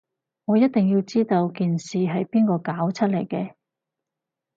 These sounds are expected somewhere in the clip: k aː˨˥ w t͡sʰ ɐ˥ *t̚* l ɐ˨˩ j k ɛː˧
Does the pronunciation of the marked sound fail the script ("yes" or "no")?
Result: no